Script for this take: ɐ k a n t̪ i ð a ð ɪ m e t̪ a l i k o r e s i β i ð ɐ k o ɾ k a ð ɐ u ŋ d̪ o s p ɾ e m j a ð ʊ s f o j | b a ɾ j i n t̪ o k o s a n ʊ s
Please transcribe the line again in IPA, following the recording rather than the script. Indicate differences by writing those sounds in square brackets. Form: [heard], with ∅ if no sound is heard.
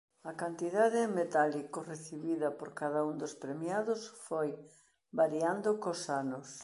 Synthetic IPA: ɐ k a n t̪ i ð a ð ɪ m e t̪ a l i k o r e [θ] i β i ð ɐ [p] o ɾ k a ð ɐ u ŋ d̪ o s p ɾ e m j a ð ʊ s f o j | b a ɾ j [a] n [d̪] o k o s a n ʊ s